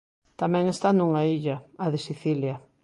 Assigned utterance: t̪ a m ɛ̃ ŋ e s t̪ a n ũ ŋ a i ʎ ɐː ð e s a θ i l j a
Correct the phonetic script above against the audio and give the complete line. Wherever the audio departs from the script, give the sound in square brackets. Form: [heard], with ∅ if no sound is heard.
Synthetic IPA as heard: t̪ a m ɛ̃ ŋ e s t̪ a n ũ ŋ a i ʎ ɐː ð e s [i] θ i l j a